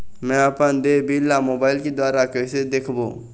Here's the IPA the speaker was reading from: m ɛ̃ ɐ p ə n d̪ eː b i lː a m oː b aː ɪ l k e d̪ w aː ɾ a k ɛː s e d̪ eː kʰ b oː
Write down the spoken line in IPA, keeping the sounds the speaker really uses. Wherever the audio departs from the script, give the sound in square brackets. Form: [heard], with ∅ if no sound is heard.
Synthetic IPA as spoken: m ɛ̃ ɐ p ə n d̪ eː b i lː a m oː b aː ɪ l k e d̪ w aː ɾ a k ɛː s e d̪ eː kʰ b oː